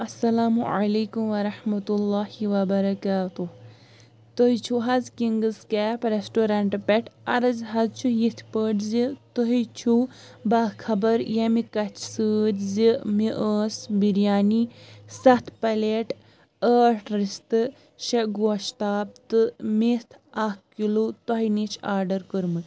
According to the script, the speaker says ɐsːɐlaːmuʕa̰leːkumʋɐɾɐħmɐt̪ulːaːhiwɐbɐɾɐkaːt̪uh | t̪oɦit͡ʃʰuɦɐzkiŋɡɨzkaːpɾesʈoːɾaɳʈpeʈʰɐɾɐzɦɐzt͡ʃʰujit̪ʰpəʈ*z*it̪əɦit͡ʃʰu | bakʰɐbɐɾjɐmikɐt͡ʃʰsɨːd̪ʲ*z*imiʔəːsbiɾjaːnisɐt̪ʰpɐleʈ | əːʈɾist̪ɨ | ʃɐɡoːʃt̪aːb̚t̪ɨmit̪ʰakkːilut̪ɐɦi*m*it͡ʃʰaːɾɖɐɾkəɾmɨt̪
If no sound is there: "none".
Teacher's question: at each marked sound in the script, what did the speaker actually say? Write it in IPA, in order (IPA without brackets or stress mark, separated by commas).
z, z, n